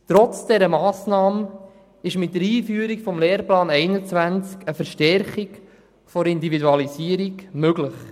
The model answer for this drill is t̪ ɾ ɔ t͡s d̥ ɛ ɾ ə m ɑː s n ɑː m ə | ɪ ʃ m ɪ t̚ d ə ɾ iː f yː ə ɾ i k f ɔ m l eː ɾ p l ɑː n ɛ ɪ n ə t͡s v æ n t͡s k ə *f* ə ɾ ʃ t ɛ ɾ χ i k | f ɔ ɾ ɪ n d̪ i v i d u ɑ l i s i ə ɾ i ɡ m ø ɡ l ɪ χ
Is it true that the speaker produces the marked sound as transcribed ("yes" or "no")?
yes